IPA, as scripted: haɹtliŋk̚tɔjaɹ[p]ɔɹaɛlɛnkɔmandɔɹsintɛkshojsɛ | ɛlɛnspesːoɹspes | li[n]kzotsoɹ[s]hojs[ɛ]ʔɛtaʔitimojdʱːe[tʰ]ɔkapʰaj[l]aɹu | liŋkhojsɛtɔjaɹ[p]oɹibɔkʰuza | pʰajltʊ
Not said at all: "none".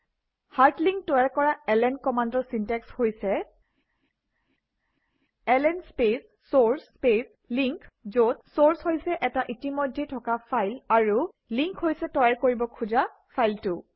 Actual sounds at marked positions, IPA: k, ŋ, s, ɛ, tʰ, l, k

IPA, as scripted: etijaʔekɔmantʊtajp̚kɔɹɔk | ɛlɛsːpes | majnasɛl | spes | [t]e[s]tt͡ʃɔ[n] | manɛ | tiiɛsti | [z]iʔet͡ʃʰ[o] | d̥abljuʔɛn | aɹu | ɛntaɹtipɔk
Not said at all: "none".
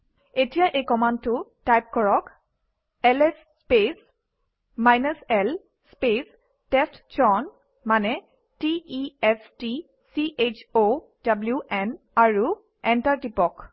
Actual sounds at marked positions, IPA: t, s, n, s, o

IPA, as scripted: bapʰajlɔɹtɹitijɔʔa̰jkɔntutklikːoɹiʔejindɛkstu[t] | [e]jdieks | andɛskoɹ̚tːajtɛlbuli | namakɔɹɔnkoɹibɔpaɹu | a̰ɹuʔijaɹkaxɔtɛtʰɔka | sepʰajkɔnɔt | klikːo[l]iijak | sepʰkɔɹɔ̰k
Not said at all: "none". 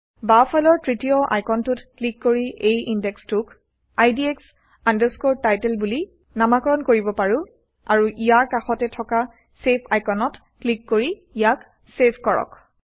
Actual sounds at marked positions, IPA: k, a, ɹ

